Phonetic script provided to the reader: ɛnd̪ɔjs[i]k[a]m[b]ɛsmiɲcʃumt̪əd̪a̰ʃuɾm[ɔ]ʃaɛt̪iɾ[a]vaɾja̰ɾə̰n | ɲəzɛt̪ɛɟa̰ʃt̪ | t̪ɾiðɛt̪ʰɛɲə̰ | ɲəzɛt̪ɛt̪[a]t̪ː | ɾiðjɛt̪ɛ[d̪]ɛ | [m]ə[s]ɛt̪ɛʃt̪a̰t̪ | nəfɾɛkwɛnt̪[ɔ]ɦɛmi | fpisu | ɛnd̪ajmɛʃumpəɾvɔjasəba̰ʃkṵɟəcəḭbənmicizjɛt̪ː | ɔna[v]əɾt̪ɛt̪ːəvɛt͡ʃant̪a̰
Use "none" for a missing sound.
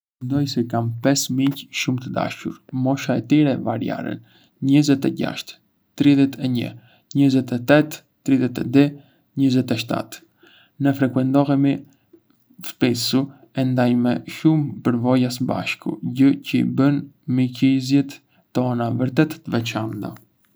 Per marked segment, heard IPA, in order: ɛ, a, p, ɔ, ɛ, ɛ, d̪, ɲ, z, ɔ, v

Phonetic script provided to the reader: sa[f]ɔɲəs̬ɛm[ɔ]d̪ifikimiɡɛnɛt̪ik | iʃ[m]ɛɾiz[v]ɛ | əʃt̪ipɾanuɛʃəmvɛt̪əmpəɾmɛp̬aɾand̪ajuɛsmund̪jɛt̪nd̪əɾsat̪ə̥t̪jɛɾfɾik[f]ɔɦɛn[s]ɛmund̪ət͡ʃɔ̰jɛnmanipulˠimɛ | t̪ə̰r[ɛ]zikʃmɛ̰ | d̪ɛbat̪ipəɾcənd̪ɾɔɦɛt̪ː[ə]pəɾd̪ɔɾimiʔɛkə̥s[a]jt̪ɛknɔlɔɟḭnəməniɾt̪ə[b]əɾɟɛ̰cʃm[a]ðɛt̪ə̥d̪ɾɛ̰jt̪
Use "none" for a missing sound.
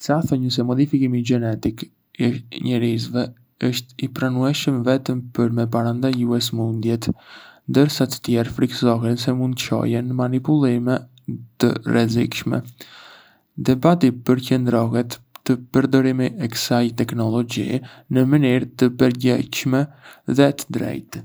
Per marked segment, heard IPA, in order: θ, ɔ, ɲ, v, s, s, ɛ, ə, a, p, ɛ

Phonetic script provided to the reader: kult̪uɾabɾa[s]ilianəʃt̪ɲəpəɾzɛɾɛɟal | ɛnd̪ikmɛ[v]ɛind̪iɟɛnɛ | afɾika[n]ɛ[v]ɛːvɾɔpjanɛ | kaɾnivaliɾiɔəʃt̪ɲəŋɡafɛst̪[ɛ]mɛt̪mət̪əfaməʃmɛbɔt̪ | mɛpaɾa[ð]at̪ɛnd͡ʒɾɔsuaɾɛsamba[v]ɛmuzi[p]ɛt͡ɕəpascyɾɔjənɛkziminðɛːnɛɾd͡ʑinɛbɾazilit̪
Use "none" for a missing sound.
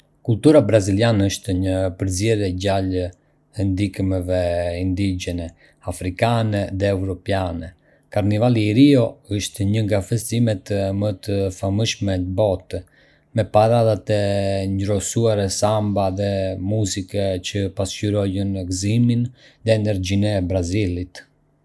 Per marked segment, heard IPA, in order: z, v, n, ð, i, ð, ð, k

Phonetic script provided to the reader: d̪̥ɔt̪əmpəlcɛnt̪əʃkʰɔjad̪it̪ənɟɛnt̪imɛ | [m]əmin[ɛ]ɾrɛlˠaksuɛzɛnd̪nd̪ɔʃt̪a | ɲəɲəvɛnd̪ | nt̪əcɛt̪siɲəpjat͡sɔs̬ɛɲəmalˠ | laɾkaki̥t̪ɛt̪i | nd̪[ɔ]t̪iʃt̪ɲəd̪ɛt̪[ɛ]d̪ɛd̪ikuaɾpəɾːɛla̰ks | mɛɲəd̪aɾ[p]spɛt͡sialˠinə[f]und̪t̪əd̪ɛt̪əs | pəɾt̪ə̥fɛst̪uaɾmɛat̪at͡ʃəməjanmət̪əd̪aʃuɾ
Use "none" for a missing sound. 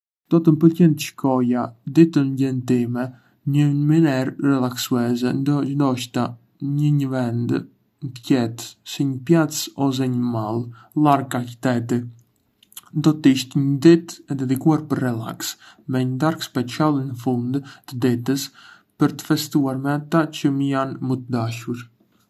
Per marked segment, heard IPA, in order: ɲ, ɛ, ɔ, ɛ, k, f

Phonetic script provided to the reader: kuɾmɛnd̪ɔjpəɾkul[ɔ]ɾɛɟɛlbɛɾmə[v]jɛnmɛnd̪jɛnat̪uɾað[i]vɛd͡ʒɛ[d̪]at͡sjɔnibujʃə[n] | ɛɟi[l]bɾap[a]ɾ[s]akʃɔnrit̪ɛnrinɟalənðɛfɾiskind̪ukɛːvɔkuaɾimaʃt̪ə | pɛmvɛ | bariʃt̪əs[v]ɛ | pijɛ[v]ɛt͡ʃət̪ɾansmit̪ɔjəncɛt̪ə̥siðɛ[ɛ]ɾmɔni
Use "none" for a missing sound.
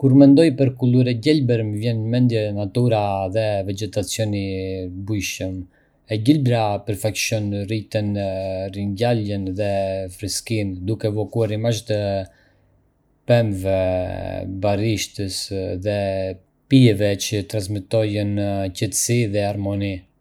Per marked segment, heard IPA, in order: u, v, ɛ, t̪, m, l, ə, f, ð, v, a

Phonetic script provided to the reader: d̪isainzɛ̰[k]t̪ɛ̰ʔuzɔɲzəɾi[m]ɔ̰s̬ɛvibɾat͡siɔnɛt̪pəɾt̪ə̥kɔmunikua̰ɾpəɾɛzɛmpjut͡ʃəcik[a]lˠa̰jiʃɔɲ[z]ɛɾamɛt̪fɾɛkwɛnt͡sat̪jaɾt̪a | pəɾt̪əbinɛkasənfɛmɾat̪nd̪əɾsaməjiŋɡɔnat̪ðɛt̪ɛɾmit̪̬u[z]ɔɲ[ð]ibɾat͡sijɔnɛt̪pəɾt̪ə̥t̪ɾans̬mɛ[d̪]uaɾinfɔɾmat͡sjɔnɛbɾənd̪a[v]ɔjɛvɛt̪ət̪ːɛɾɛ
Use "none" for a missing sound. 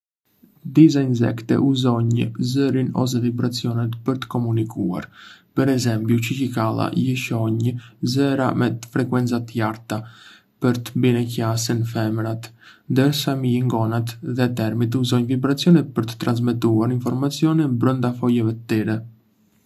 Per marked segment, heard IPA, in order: k, n, a, z, z, v, t̪, f

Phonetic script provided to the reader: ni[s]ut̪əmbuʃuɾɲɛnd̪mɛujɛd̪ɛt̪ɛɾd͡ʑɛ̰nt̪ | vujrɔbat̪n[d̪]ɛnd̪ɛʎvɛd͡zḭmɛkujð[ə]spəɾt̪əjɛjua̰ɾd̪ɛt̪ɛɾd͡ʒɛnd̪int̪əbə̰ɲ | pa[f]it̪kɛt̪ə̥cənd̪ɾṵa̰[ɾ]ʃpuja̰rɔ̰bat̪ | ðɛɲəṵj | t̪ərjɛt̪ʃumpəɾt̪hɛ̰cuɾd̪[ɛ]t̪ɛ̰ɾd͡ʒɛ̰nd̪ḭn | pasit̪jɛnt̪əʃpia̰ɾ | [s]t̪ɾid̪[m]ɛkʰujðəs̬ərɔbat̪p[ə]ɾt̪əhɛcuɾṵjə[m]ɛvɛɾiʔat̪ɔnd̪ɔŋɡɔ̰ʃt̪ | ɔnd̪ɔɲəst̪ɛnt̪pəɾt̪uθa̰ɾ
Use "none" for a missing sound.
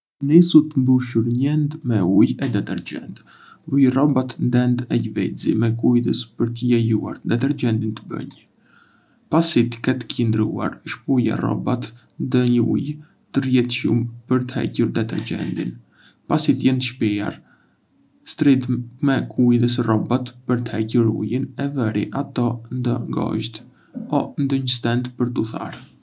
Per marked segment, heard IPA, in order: s, d̪, ə, s, ɾ, ɛ, s, m, ə, n

